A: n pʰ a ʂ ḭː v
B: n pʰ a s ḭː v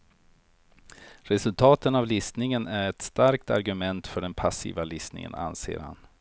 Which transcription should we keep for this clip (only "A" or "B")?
B